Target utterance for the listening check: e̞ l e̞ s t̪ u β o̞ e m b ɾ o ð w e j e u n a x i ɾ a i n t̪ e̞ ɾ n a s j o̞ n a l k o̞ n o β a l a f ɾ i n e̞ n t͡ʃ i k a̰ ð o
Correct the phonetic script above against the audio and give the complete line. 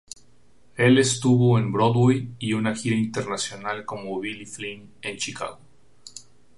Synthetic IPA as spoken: e̞ l e̞ s t̪ u β o̞ e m b ɾ o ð w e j i u n a x i ɾ a i n t̪ e̞ ɾ n a s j o̞ n a l k o̞ m o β i l i f l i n e̞ n t͡ʃ i k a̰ ɣ o